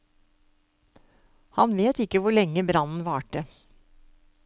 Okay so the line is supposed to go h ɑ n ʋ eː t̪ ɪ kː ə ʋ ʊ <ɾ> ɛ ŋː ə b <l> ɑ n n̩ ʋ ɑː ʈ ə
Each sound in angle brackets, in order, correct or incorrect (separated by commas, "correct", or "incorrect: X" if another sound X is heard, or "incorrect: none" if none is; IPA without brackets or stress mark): incorrect: ɭ, incorrect: ɾ